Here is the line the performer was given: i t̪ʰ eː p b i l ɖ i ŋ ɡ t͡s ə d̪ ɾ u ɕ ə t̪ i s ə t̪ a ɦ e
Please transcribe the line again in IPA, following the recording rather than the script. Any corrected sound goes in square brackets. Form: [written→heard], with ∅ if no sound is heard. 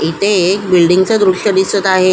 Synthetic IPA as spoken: i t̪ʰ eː [p→k] b i l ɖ i ŋ ɡ t͡s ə d̪ ɾ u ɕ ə [t̪→d̪] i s ə t̪ a ɦ e